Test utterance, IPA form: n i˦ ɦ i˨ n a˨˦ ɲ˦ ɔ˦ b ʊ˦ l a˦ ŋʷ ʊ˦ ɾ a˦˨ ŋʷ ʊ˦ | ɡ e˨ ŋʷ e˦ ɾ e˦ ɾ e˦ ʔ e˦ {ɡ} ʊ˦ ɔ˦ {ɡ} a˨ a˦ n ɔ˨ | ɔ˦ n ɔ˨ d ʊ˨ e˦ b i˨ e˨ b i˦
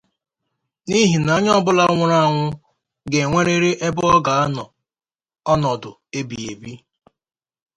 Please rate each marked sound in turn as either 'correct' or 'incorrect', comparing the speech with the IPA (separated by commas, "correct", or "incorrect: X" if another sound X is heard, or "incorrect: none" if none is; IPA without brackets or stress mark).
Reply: incorrect: b, correct